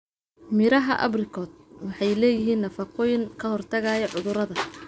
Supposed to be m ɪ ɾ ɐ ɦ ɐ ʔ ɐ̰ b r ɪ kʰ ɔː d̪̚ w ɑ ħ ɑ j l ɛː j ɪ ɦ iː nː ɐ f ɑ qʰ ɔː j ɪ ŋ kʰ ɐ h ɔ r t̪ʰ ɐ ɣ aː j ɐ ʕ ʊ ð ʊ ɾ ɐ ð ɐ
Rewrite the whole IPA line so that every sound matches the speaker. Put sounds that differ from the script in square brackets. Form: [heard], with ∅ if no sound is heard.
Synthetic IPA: m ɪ ɾ ɐ ɦ ɐ ʔ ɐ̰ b r ɪ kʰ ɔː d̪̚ w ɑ ħ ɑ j l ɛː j ɪ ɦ iː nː ɐ f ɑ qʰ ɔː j ɪ ŋ kʰ ɐ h ɔ r t̪ʰ ɐ ɣ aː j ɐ ʕ ʊ ð ʊ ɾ ɐ ð ɐ